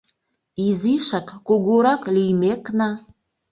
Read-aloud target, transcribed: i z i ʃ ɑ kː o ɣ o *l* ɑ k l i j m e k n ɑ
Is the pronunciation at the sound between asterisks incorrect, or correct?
incorrect